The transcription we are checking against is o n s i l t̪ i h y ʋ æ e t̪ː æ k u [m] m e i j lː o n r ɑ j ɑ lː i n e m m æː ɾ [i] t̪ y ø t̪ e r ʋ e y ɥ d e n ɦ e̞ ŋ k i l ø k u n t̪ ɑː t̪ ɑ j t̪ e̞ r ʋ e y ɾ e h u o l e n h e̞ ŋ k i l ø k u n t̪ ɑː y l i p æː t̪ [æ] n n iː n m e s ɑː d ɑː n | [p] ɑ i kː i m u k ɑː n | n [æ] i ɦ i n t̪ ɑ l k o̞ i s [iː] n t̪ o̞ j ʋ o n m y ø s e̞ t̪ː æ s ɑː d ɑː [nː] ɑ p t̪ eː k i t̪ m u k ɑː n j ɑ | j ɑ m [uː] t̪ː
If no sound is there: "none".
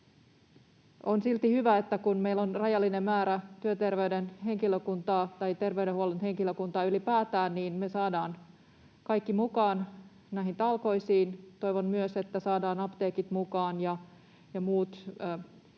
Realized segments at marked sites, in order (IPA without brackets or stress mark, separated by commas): n, æ, æː, k, æ, iː, n, uː